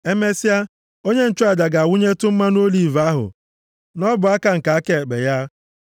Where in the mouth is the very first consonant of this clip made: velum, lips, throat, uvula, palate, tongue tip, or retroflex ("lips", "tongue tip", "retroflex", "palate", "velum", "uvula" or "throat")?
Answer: lips